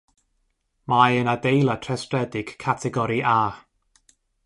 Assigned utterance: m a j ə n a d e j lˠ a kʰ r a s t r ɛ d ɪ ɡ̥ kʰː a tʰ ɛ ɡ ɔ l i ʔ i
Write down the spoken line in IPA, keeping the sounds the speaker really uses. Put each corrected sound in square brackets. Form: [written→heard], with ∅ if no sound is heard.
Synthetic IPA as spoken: m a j ə n a d e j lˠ a [kʰ→tʰ] r [a→ɛ] s t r ɛ d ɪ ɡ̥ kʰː a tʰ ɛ ɡ ɔ [l→ɾ] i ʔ [i→a]